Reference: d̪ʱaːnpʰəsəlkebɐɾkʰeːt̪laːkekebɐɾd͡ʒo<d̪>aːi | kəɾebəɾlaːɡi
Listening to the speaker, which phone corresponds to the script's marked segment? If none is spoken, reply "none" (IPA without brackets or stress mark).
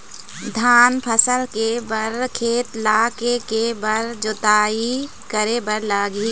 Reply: t̪